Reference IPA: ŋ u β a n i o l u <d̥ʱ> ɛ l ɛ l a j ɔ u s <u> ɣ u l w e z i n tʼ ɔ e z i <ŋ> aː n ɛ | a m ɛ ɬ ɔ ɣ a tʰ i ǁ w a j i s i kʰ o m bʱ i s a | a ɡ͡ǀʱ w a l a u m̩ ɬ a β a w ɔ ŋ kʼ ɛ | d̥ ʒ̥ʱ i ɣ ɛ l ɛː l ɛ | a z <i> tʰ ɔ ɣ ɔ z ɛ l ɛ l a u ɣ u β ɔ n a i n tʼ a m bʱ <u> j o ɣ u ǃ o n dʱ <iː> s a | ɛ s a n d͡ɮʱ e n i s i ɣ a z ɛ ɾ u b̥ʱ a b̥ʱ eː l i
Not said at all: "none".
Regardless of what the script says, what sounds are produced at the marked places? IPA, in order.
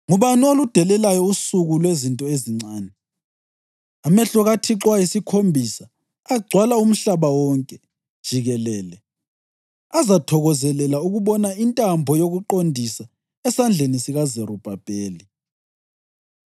d̥ʱ, u, ŋ͡ǀ, a, ɔ, i

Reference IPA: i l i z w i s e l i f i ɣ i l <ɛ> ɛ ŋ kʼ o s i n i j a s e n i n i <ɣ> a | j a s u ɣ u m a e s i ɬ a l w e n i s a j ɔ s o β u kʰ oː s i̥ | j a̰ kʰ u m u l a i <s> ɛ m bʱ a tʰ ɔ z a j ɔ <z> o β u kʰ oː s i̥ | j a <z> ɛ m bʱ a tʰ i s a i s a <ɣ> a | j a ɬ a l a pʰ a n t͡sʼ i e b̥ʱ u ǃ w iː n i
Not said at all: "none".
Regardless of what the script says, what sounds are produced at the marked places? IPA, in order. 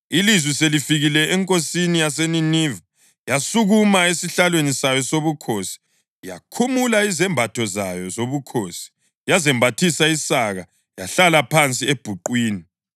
ɛ, v, z, z, z, ɣ

